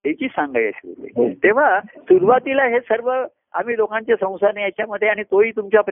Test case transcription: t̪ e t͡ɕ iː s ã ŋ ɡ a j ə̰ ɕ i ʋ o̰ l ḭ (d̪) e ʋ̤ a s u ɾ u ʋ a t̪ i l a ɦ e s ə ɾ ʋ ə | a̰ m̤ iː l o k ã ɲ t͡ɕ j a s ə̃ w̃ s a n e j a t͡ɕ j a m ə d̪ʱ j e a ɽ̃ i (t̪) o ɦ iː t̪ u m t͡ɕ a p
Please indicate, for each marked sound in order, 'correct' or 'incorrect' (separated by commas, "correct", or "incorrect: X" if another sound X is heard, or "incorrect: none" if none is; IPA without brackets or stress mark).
incorrect: t̪, correct